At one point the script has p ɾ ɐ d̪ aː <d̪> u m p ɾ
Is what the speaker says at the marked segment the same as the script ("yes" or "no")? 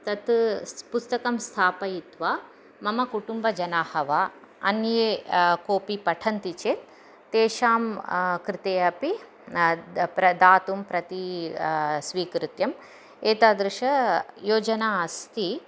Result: no